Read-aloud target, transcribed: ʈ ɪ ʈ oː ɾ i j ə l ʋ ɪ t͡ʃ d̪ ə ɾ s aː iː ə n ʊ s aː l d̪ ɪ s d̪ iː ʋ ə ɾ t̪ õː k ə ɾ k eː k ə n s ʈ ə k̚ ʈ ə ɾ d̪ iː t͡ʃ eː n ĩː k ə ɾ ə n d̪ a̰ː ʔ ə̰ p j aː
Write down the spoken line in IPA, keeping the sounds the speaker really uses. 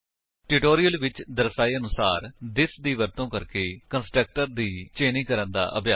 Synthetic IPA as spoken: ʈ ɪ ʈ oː ɾ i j ə l ʋ ɪ t͡ʃ d̪ ə ɾ s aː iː ə n ʊ s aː ɾ d̪ ɪ s d̪ iː ʋ ə ɾ t̪ õː k ə ɾ k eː k ə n s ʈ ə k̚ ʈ ə ɾ d̪ iː t͡ʃ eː n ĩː k ə ɾ ə n d̪ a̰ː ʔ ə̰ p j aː